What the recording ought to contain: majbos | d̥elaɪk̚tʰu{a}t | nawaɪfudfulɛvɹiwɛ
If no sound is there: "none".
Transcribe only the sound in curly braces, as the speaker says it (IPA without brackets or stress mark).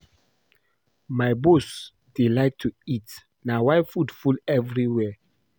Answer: i